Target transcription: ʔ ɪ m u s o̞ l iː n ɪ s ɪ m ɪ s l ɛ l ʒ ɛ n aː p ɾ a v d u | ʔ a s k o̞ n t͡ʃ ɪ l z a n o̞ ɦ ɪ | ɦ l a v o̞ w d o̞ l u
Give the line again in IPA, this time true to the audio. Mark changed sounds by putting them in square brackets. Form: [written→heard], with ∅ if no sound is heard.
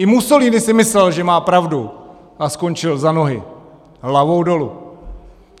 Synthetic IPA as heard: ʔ ɪ m u s o̞ l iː n ɪ s ɪ m ɪ s l ɛ l ʒ ɛ [n→m] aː p ɾ a v d u | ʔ a s k o̞ n t͡ʃ ɪ l z a n o̞ ɦ ɪ | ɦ l a v o̞ w d o̞ l u